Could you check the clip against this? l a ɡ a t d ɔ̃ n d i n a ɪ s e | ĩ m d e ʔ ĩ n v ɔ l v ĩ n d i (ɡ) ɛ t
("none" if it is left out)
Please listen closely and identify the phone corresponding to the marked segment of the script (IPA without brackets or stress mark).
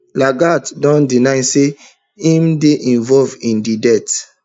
d